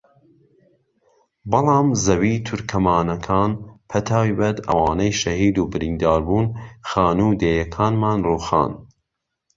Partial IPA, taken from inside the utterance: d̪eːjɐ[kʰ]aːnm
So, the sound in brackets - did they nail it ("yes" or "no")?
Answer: yes